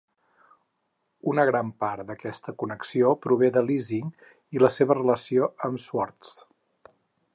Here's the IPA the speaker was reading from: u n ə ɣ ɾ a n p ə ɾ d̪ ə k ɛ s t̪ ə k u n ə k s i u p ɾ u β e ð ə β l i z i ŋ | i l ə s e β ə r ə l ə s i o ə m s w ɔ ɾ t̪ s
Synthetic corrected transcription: u n ə ɣ ɾ a m p a ɾ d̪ ə k ɛ s t̪ ə k u n ə k s i o p ɾ u β e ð ə l i z i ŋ | i l ə s e β ə r ə l ə s i o ə m s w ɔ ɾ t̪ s